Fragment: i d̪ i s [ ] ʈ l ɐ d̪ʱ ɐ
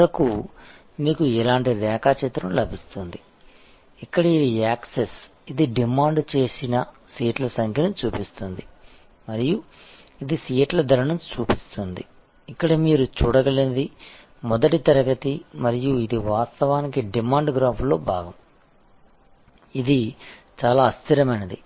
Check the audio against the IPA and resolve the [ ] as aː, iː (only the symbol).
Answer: iː